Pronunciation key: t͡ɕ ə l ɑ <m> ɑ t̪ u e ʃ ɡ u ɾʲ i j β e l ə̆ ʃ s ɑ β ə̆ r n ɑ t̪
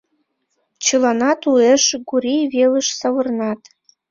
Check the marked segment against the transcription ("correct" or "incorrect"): incorrect